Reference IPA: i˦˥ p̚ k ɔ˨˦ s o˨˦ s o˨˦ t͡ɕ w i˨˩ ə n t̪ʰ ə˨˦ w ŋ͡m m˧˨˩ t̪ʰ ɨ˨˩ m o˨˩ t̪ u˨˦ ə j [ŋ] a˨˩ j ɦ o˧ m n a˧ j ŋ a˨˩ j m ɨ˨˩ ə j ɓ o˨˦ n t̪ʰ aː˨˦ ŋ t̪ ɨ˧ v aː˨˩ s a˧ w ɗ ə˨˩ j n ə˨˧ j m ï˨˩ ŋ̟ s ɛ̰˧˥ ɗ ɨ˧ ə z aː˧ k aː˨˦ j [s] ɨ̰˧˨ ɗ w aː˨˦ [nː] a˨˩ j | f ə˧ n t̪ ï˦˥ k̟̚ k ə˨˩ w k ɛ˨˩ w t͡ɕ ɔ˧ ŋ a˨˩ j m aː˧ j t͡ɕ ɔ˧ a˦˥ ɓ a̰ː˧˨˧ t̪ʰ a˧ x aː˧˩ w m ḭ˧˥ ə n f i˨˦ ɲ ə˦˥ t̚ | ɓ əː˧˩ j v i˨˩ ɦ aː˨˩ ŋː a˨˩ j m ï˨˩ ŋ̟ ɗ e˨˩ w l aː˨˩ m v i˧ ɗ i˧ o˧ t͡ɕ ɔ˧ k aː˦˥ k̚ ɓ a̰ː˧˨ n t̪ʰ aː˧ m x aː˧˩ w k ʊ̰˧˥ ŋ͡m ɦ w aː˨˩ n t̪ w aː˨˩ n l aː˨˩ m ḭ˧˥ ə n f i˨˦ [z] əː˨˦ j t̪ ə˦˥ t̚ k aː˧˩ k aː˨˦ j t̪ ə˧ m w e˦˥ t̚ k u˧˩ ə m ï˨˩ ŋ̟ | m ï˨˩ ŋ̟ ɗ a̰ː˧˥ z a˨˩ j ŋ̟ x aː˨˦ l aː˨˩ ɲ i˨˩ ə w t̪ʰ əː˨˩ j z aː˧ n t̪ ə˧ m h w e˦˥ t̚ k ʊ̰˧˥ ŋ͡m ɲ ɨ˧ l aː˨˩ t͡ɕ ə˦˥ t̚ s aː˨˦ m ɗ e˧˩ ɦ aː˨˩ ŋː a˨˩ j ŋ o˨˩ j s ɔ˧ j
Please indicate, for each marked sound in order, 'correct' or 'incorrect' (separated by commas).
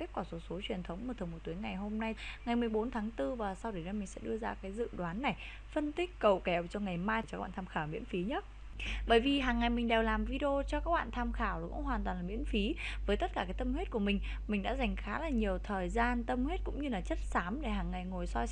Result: correct, incorrect, correct, incorrect